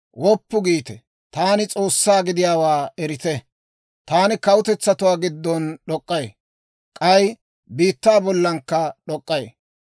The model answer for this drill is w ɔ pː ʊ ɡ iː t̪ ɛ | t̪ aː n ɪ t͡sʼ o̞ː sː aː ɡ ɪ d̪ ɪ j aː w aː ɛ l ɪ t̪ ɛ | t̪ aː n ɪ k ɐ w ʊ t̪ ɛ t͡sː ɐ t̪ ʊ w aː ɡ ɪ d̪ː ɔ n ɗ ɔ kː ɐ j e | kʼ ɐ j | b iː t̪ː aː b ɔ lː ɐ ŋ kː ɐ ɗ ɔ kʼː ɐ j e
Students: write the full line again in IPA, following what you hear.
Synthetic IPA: w ɔ pː ʊ ɡ iː t̪ ɛ | t̪ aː n ɪ t͡sʼ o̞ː sː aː ɡ ɪ d̪ ɪ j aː w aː ɛ ɾ ɪ t̪ ɛ | t̪ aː n ɪ k ɐ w ʊ t̪ ɛ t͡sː ɐ t̪ ʊ w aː ɡ ɪ d̪ː ɔ n ɗ ɔ kʼː ɐ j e | kʼ ɐ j | b iː t̪ː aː b ɔ lː ɐ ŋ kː ɐ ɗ ɔ kʼː ɐ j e